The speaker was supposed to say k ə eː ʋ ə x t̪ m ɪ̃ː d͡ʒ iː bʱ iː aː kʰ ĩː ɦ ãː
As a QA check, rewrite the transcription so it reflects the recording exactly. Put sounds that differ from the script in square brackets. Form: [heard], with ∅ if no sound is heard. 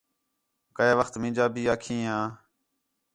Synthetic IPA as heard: k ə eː ʋ ə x t̪ m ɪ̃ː d͡ʒ [aː] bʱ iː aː kʰ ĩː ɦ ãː